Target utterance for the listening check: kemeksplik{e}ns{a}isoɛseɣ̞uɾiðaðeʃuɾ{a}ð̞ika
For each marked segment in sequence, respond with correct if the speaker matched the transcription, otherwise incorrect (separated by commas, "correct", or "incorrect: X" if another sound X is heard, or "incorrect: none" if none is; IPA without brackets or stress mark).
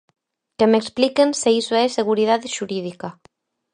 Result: correct, incorrect: e, incorrect: i